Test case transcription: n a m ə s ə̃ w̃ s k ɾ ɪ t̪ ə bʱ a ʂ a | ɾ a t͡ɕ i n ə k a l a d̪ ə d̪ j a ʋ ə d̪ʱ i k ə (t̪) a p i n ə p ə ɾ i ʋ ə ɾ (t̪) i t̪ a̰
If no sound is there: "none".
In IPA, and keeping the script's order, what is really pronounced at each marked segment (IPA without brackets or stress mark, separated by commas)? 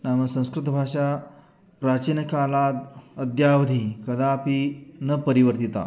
d̪, t̪